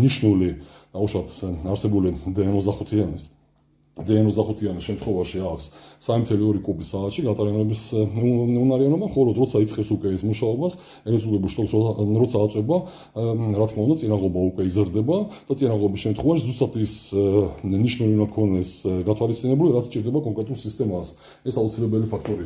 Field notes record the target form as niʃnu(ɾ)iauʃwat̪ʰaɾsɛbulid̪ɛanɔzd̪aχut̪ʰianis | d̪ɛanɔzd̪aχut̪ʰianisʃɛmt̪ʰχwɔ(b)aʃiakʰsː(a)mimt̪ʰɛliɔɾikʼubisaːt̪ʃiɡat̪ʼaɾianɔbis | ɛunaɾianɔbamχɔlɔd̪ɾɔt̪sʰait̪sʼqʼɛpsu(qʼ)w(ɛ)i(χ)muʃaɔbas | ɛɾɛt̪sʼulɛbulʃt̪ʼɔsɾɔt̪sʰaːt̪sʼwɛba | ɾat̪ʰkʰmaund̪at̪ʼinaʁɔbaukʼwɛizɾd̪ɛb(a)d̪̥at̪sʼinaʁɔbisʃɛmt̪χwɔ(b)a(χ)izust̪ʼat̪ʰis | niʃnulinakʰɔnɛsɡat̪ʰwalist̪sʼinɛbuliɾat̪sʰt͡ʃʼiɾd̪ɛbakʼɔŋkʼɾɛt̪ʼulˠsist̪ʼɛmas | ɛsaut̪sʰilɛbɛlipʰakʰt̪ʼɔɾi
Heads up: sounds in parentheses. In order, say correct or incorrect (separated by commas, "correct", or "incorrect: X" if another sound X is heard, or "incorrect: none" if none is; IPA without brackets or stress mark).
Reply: incorrect: l, incorrect: v, correct, incorrect: kʼ, correct, incorrect: s, correct, incorrect: v, incorrect: ʃ